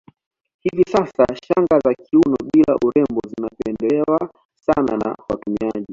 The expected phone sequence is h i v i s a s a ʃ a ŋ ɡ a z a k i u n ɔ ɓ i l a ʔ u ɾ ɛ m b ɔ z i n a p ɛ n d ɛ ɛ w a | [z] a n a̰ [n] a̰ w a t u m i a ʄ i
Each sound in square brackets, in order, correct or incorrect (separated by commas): incorrect, correct